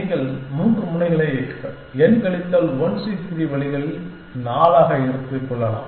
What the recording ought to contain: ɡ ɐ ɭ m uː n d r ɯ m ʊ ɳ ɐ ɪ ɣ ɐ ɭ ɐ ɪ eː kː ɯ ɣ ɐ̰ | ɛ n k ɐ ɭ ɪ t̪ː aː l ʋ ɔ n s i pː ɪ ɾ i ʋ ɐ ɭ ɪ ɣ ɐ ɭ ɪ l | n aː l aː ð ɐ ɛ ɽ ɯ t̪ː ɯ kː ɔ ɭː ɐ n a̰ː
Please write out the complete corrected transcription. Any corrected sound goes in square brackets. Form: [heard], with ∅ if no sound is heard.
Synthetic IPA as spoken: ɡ ɐ ɭ m uː n d r ɯ m ʊ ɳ ɐ ɪ ɣ ɐ ɭ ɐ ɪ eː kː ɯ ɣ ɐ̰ | ɛ n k ɐ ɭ ɪ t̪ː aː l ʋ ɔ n s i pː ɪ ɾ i ʋ ɐ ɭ ɪ ɣ ɐ ɭ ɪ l | n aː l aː [ɣ] ɐ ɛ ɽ ɯ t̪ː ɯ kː ɔ ɭː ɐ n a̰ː